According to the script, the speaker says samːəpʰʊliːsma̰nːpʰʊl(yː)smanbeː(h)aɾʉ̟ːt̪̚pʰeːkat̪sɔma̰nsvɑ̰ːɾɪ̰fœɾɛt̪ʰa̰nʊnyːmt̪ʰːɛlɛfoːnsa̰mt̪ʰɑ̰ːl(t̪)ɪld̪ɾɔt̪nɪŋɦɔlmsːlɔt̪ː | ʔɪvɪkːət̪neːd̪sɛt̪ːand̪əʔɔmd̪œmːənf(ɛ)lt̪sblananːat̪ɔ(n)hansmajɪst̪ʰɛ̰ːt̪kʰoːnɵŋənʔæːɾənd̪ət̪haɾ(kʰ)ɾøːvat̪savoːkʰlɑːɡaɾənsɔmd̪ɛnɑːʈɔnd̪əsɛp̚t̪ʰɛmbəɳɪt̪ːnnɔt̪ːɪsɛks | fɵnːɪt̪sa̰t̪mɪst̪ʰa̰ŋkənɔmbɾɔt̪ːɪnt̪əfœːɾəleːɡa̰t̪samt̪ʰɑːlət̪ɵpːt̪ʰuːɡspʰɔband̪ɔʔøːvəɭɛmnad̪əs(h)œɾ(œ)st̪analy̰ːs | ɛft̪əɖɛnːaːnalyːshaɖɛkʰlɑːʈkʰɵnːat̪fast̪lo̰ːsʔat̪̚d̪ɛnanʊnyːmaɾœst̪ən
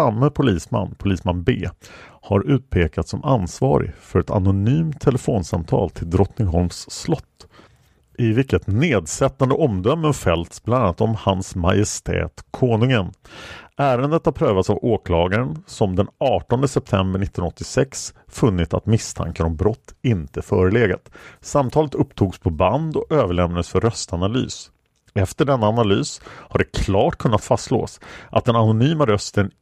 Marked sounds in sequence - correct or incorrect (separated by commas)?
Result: incorrect, correct, incorrect, correct, incorrect, incorrect, incorrect, correct